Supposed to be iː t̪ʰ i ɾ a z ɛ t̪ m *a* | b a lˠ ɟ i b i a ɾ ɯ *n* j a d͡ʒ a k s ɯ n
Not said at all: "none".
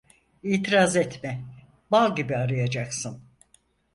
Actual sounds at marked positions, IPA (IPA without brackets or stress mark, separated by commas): ɛ, none